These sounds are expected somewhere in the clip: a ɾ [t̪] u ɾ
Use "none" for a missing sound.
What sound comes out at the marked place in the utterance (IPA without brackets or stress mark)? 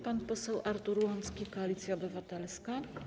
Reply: t̪